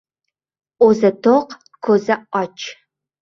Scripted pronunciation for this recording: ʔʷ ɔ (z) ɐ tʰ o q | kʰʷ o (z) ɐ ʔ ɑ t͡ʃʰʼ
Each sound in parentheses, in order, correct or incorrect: correct, correct

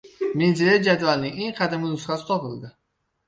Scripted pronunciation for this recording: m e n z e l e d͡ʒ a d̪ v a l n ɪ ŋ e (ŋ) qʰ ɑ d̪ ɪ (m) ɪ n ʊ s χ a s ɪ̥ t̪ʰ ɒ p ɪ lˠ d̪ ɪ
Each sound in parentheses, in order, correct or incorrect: correct, correct

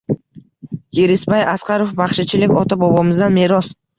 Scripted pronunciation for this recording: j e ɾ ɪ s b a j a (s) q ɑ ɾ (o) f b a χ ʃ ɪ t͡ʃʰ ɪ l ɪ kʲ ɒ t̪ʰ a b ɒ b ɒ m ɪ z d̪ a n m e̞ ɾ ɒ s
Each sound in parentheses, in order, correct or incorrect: correct, correct

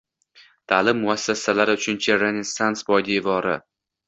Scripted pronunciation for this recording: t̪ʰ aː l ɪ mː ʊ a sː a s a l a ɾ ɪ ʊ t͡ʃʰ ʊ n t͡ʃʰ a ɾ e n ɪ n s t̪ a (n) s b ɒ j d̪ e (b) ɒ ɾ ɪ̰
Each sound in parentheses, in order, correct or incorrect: correct, incorrect

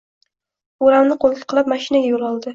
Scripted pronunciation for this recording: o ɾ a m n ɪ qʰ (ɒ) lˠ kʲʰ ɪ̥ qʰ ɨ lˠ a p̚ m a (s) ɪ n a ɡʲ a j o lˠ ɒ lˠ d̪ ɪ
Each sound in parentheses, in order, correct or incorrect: incorrect, incorrect

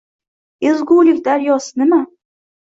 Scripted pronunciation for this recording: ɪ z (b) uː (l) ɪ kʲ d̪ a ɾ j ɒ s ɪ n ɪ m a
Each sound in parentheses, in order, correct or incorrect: incorrect, correct

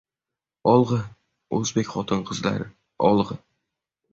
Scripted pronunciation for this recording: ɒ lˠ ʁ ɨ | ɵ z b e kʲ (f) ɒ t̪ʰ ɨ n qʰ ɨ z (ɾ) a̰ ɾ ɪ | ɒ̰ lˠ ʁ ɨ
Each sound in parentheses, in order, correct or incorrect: incorrect, incorrect

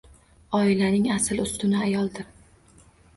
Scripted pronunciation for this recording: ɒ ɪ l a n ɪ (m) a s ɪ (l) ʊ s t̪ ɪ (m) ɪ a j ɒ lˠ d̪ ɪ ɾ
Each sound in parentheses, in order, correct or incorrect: incorrect, correct, incorrect

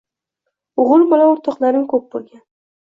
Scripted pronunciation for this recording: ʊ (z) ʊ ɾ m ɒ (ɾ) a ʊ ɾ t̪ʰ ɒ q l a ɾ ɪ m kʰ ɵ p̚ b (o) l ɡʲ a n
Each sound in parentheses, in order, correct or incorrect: incorrect, incorrect, correct

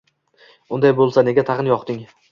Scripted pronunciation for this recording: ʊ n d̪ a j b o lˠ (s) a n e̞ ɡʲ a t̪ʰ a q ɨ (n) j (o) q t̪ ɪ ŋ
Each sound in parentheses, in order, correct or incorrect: correct, correct, incorrect

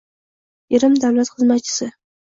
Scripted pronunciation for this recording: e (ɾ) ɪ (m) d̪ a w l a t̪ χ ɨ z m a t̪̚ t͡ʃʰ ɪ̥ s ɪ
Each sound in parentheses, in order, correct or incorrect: correct, correct

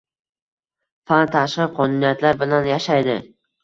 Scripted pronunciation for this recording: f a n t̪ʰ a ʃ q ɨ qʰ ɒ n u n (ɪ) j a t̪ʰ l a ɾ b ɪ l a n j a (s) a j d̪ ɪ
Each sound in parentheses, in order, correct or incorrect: incorrect, incorrect

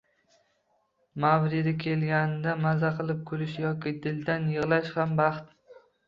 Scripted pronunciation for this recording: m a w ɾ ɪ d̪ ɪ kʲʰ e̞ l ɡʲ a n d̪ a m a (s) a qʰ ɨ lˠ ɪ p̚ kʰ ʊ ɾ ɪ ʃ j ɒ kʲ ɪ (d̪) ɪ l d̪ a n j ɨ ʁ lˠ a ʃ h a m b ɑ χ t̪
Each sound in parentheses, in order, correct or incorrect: incorrect, correct

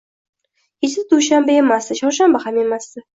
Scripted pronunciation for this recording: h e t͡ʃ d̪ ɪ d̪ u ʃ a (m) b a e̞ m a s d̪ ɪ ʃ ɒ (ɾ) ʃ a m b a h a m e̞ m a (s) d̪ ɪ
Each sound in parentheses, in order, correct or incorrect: correct, correct, correct

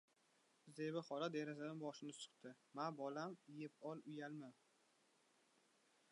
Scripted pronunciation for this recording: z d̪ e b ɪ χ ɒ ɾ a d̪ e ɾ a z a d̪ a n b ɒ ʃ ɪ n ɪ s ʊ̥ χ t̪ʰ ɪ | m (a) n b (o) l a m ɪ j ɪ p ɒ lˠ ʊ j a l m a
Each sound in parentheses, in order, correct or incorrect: correct, incorrect

